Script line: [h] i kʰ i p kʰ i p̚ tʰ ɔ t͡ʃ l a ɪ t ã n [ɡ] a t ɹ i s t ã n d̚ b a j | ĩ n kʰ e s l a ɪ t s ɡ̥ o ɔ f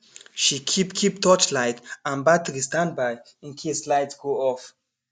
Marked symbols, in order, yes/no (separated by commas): no, no